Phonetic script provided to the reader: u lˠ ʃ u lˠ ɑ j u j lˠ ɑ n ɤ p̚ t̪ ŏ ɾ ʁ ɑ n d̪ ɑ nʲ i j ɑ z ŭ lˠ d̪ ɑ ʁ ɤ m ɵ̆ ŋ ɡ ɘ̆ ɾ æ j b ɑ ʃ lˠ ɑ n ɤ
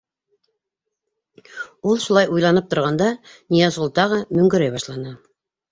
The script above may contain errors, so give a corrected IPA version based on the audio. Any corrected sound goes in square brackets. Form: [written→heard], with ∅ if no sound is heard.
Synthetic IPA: u lˠ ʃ u lˠ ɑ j u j lˠ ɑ n ɤ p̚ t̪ ŏ ɾ ʁ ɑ n d̪ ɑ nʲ i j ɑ z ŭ lˠ [d̪→t̪] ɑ ʁ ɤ m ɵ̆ ŋ ɡ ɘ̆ ɾ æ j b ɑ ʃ lˠ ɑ n ɤ